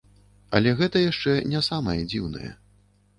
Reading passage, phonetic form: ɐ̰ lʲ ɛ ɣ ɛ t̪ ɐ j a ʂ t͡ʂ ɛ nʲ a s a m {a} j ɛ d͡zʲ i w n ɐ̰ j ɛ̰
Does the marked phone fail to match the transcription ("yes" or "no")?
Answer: yes